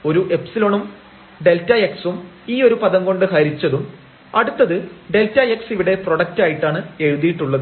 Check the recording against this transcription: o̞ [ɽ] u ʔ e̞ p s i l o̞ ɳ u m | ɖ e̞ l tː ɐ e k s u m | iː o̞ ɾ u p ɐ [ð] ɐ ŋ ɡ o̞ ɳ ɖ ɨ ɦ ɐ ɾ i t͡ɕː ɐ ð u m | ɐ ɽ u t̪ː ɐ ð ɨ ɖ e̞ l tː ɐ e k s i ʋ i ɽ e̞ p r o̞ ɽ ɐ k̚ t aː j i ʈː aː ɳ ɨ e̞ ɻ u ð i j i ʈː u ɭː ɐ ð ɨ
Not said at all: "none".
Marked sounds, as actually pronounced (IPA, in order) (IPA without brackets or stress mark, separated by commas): ɾ, ð